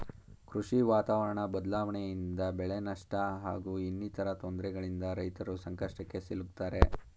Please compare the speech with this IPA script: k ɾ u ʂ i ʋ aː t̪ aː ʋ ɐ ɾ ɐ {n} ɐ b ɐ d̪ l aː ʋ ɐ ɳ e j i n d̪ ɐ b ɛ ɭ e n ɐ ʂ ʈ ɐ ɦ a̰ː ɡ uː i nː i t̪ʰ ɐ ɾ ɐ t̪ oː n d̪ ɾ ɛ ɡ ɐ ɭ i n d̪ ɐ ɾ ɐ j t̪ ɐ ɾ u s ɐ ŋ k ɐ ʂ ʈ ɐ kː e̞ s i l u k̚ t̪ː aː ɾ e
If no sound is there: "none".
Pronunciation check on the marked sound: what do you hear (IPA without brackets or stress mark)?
ɳ